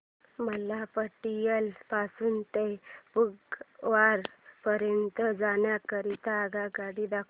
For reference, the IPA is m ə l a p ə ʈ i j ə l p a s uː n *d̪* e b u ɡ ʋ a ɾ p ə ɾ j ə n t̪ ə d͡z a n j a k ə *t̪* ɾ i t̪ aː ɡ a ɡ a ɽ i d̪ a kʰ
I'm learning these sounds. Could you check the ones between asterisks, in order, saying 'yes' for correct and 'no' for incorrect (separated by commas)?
no, no